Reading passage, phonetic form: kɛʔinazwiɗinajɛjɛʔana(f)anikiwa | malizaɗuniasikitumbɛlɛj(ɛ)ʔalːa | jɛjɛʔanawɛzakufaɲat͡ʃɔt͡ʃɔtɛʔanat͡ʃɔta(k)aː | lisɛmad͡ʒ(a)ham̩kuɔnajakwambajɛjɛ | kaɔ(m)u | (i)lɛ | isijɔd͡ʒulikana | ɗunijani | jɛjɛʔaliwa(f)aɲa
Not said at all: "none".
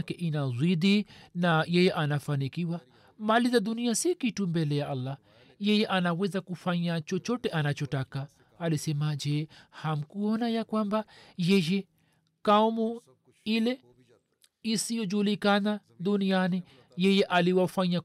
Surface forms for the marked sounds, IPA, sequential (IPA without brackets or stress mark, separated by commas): f, a, k, ɛ, m, i, f